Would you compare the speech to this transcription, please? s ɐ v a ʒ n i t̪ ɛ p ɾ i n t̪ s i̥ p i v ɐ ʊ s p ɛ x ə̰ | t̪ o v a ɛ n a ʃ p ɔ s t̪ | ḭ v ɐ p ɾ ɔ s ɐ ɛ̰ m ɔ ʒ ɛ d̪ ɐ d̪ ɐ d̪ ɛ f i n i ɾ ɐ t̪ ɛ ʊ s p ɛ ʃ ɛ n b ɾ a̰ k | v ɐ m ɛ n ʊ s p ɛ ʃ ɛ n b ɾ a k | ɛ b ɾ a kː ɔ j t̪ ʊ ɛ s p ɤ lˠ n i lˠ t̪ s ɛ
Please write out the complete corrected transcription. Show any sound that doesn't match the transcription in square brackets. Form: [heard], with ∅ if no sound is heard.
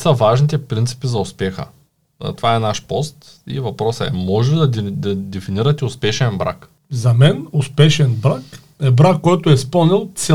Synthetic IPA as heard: s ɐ v a ʒ n i t̪ ɛ p ɾ i n t̪ s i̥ p i [z] ɐ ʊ s p ɛ x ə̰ | t̪ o v a ɛ n a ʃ p ɔ s t̪ | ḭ v ɐ p ɾ ɔ s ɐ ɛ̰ m ɔ ʒ ɛ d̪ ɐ d̪ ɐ d̪ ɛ f i n i ɾ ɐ t̪ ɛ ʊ s p ɛ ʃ ɛ n b ɾ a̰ k | [z] ɐ m ɛ n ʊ s p ɛ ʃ ɛ n b ɾ a k | ɛ b ɾ a kː ɔ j t̪ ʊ ɛ s p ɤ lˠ n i lˠ t̪ s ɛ